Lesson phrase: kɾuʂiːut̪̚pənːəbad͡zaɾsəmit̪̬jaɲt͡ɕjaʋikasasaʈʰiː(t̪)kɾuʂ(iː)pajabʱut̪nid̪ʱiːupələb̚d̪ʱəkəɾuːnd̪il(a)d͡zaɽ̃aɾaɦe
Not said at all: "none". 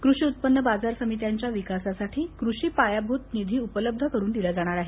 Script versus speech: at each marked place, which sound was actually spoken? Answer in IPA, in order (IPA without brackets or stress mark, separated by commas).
none, iː, a